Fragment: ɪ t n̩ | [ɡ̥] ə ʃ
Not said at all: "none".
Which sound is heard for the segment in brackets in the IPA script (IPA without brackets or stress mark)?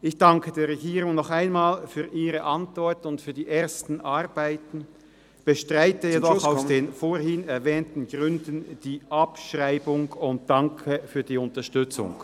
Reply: b̥